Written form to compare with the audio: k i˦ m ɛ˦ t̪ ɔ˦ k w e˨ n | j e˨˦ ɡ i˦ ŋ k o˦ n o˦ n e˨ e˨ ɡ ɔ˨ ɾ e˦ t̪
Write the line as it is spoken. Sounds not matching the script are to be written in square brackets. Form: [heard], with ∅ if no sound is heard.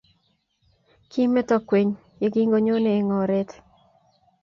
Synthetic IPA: k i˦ m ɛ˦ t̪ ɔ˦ k w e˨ [ɲ] | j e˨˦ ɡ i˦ ŋ [ɡ] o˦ [ɲ] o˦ n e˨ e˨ [ŋ] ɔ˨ ɾ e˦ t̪